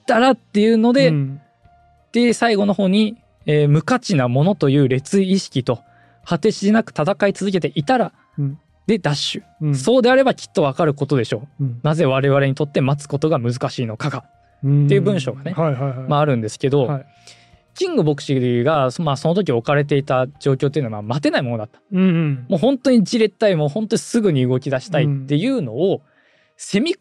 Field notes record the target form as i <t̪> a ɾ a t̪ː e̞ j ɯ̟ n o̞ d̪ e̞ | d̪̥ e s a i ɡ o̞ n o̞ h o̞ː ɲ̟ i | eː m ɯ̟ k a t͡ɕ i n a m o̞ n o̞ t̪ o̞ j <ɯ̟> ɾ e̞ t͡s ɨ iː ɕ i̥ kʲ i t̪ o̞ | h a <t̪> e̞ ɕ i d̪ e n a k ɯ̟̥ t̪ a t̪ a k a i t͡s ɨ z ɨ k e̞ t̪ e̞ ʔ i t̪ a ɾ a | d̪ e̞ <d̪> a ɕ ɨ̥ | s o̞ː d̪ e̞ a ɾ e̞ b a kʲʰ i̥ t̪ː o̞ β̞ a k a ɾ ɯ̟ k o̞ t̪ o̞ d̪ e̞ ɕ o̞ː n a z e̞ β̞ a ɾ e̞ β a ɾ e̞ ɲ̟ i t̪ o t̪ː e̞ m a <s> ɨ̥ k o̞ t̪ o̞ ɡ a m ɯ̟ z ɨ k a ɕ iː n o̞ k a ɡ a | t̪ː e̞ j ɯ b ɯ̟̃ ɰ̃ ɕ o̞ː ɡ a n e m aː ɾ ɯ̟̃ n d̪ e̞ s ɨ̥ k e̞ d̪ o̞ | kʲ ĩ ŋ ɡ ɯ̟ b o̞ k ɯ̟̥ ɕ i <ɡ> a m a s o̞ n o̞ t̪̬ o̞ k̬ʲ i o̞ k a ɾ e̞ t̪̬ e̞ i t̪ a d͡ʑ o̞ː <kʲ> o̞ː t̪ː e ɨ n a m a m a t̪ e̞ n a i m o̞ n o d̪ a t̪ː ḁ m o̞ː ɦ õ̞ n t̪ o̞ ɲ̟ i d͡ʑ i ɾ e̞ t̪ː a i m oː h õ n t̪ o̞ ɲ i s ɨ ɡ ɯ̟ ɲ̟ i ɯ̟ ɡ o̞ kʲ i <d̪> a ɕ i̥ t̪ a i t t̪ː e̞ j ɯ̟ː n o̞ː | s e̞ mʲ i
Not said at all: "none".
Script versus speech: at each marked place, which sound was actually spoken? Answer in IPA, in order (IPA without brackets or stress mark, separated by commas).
t̪, ɯ̟ː, t̪, d̪, t͡s, ɡ, kʲ, d̪